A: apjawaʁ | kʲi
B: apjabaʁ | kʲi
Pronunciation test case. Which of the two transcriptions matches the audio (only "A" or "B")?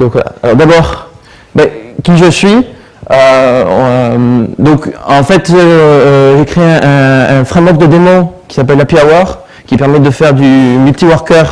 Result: A